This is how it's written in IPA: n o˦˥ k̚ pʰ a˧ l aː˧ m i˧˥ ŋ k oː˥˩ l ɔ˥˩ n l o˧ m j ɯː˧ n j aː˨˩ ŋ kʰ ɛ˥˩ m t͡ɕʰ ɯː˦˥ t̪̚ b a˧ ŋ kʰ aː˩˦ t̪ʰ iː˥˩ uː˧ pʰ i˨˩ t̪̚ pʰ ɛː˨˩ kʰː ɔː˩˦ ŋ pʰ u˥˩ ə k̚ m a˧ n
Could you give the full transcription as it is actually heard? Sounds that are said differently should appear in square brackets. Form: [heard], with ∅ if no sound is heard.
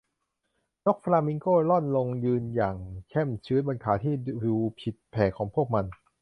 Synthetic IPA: n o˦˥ k̚ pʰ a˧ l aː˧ m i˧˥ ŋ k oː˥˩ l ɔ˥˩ n l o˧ [ŋ] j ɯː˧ n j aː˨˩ ŋ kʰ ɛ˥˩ m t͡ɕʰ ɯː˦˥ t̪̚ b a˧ [n] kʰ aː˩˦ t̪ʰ iː˥˩ uː˧ pʰ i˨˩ t̪̚ pʰ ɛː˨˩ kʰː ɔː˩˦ ŋ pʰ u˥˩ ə k̚ m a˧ n